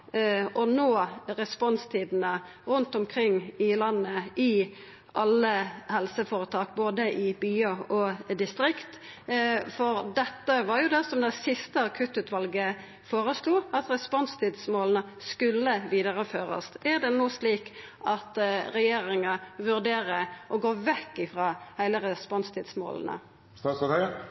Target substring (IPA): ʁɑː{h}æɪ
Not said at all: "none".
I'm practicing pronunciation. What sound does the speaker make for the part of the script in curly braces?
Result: h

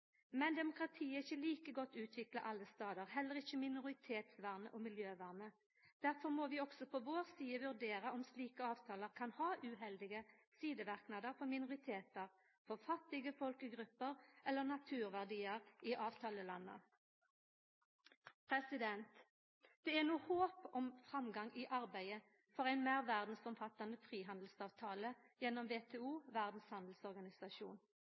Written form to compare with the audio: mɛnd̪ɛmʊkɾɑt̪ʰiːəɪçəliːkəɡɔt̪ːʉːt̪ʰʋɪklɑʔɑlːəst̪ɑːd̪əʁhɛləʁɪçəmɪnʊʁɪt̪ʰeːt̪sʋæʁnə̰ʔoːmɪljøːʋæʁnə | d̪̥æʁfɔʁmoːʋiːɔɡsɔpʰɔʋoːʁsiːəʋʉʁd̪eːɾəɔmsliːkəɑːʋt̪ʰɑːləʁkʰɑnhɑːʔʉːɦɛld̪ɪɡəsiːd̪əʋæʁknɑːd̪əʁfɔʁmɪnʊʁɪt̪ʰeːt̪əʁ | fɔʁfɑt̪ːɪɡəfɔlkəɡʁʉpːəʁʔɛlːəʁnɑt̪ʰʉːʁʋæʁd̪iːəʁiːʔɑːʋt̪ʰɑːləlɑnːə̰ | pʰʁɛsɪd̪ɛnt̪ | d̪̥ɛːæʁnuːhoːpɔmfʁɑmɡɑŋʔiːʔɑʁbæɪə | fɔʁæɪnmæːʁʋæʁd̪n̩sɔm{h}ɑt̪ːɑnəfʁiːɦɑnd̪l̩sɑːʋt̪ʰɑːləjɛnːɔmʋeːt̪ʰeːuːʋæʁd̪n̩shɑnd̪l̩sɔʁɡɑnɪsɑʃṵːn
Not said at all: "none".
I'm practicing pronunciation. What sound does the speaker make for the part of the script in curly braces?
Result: f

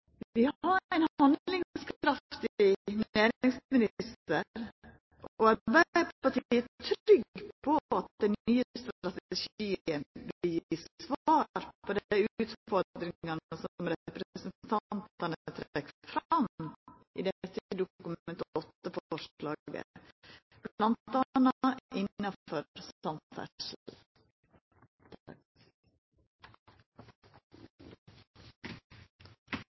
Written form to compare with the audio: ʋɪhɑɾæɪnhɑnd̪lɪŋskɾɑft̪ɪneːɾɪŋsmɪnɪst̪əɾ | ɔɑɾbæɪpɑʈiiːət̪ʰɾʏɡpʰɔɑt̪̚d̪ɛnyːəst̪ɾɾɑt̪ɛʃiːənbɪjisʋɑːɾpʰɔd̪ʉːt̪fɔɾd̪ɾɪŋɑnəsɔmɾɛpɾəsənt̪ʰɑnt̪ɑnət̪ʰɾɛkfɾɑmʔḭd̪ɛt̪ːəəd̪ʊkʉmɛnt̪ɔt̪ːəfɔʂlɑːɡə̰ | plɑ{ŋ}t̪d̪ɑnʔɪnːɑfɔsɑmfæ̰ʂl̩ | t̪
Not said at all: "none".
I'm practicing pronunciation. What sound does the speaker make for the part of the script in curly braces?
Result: n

